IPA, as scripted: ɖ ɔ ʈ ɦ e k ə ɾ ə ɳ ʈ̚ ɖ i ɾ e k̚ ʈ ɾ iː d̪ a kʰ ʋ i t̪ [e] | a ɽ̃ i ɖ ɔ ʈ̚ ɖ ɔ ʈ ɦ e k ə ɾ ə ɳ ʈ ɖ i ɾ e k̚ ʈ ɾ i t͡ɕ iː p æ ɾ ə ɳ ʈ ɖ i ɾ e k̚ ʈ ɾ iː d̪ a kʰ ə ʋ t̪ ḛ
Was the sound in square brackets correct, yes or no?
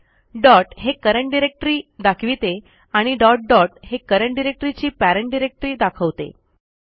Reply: yes